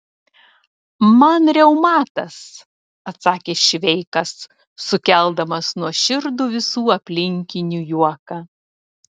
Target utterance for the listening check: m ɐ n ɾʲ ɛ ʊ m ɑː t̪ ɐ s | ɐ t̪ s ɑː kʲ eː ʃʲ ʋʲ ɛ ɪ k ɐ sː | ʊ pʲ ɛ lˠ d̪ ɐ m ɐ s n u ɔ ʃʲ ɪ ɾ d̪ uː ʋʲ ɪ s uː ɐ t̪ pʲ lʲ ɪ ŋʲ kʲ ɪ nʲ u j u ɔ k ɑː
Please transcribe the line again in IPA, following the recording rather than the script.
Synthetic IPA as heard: m ɐ n ɾʲ ɛ ʊ m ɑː t̪ ɐ s | ɐ t̪ s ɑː kʲ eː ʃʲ ʋʲ ɛ ɪ k ɐ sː | ʊ kʲ ɛ lˠ d̪ ɐ m ɐ s n u ɔ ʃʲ ɪ ɾ d̪ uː ʋʲ ɪ s uː ɐ pʲ lʲ ɪ ŋʲ kʲ ɪ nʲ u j u ɔ k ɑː